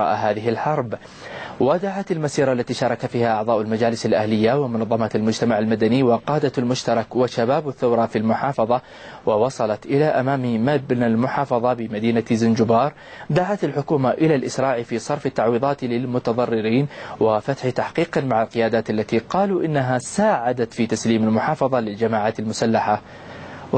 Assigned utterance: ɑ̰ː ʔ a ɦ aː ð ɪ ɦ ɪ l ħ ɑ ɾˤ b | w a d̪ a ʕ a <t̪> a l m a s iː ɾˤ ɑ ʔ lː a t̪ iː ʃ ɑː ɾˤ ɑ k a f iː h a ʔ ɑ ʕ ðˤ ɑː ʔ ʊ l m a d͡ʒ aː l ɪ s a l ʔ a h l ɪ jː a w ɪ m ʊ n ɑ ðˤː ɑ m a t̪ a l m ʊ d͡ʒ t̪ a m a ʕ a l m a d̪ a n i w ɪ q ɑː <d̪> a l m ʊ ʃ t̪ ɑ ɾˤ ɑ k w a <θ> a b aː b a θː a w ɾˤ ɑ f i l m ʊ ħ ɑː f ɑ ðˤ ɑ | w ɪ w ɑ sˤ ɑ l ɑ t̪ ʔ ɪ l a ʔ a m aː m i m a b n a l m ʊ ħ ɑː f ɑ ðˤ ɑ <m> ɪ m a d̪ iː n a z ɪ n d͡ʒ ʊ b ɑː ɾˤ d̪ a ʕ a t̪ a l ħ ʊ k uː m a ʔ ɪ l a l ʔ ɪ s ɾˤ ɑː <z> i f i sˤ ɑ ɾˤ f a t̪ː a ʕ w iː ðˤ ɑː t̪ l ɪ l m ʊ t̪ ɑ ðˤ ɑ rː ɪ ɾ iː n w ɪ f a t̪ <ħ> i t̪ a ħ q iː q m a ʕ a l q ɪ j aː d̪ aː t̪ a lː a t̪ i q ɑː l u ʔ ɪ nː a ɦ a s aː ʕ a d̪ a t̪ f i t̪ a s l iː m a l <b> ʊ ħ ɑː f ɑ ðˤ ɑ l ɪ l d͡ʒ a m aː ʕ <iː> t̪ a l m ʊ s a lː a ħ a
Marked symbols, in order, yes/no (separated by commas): yes, yes, no, no, no, yes, no, no